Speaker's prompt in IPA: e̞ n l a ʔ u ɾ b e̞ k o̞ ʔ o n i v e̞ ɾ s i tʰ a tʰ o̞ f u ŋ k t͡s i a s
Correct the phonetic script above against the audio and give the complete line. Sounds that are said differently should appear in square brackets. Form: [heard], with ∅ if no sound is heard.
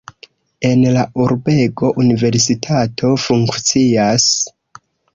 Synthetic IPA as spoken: e̞ n l a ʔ u ɾ b e̞ [ɡ] o̞ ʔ [u] n i v e̞ ɾ s i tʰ a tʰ o̞ f u ŋ k t͡s i a s